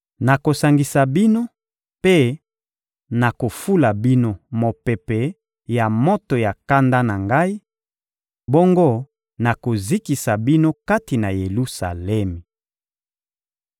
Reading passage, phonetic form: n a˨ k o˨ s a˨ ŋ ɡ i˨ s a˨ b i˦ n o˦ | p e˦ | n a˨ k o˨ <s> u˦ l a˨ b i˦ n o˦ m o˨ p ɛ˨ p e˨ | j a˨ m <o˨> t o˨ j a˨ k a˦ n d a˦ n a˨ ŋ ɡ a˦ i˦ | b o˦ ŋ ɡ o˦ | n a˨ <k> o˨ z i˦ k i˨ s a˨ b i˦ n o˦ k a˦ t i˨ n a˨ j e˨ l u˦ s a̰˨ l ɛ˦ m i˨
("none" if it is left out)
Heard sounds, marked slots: f, o˦, k

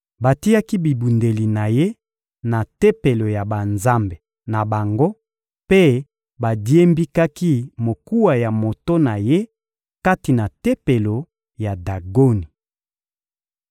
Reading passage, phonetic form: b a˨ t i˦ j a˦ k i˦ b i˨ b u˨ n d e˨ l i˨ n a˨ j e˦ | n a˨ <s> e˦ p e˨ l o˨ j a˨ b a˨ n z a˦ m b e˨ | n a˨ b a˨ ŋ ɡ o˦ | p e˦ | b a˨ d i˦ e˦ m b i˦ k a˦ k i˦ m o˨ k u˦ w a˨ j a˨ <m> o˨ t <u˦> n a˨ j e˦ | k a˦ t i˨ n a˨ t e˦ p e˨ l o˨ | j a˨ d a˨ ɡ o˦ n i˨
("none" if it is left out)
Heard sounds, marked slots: t, m, o˦

